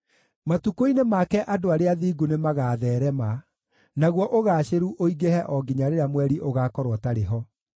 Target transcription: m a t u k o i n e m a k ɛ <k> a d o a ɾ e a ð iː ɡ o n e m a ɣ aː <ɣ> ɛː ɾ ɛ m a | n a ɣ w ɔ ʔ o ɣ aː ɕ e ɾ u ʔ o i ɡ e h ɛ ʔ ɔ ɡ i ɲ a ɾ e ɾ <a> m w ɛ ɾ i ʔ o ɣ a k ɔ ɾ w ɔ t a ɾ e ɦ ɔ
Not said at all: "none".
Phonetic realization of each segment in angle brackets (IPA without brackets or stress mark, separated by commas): ʔ, ð, a